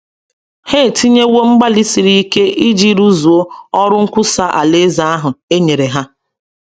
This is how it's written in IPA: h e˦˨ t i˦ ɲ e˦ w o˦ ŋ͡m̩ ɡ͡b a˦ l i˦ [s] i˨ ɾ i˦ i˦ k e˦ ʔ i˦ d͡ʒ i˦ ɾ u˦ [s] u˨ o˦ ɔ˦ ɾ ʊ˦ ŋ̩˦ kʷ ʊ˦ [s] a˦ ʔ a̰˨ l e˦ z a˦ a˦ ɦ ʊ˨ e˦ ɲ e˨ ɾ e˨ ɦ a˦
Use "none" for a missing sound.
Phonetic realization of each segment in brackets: s, z, s

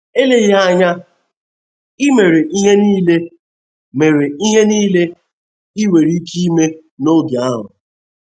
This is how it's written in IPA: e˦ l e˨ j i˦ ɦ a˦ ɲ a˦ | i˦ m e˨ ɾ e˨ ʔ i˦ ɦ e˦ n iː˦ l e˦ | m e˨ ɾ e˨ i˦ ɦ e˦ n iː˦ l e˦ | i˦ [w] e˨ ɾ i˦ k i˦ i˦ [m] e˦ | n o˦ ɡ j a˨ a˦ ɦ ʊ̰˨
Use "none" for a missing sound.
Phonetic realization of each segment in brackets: w, m

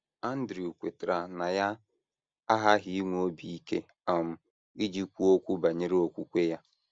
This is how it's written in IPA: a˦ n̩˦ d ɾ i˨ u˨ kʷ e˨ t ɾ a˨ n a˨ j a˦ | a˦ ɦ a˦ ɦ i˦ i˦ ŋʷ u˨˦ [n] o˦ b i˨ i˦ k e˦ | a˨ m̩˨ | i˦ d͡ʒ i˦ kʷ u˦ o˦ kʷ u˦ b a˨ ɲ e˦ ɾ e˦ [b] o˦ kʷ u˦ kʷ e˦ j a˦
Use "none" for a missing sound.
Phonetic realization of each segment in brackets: none, none

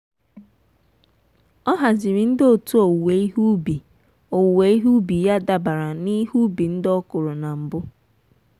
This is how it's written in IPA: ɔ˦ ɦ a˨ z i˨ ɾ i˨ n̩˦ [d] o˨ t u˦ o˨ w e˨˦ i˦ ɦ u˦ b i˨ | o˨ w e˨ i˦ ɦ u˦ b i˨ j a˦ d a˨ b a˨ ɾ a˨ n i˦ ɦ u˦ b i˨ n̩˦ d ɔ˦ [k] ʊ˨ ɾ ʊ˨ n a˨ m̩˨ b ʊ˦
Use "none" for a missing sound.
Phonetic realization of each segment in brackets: d, k

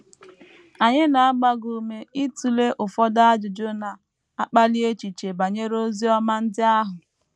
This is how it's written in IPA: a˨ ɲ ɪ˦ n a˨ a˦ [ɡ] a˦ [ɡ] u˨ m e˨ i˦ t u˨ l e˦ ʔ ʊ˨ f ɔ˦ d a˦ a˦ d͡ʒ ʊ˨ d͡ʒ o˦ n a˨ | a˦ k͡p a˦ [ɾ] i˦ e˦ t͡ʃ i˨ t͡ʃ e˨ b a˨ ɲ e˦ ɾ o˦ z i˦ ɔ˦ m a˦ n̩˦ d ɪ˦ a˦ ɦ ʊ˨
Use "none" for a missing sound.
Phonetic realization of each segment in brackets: ɡ͡b, ɡ, l

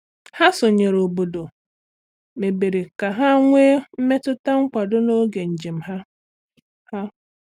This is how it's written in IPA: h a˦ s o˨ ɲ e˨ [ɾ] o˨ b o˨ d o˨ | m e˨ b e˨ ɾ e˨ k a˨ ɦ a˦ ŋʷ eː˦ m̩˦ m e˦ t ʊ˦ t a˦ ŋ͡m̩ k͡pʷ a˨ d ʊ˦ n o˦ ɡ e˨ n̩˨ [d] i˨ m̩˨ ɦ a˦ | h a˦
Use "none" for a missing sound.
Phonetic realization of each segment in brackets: ɾ, d͡ʒ

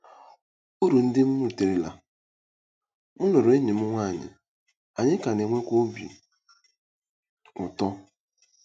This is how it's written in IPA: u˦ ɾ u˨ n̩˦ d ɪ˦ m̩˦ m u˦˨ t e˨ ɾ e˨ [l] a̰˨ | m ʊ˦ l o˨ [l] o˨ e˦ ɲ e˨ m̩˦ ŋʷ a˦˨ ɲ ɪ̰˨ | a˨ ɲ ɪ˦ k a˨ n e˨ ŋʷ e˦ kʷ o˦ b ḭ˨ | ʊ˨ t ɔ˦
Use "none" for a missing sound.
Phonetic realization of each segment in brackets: l, ɾ

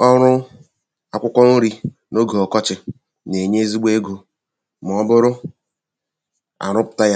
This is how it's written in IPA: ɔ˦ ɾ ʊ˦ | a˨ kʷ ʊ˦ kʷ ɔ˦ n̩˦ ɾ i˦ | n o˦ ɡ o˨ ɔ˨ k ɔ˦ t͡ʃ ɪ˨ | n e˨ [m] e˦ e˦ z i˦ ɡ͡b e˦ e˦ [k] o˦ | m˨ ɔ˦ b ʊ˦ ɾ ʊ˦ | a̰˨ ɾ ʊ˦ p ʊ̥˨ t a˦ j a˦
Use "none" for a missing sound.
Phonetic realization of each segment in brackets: ɲ, ɡ

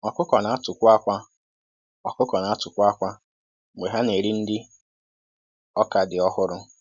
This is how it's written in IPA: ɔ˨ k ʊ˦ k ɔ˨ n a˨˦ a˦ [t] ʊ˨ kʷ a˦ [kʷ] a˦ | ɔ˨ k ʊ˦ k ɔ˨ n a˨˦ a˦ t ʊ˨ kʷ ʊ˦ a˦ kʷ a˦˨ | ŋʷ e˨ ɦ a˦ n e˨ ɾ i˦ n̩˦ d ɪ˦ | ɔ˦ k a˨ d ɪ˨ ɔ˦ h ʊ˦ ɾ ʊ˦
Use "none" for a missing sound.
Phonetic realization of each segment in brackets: t, kʷ

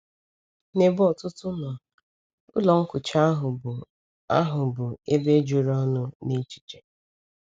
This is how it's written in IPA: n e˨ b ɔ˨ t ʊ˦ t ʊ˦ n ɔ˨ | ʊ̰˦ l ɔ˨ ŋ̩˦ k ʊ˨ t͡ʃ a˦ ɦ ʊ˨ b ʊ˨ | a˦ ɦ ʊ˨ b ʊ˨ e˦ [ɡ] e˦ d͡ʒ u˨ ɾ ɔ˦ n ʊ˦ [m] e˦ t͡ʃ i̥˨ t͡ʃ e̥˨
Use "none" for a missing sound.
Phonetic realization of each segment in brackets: b, n

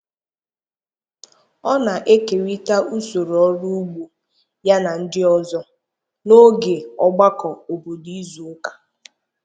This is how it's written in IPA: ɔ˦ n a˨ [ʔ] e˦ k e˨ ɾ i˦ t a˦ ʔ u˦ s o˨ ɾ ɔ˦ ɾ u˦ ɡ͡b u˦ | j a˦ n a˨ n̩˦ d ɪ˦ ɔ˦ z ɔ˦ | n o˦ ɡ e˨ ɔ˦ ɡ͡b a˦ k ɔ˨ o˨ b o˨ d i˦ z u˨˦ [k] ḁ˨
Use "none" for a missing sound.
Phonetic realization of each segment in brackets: ʔ, k

